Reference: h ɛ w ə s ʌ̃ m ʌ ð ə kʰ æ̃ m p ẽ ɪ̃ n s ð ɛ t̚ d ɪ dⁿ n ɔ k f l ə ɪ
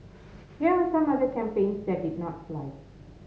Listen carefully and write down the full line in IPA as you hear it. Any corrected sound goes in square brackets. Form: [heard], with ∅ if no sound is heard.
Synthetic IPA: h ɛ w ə s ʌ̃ m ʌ ð ə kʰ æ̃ m p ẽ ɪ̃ n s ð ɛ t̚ d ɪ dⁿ n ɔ [t] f l [a] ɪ